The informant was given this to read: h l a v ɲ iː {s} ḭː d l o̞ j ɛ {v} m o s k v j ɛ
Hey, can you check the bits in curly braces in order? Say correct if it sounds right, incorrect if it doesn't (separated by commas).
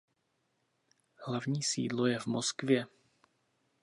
correct, correct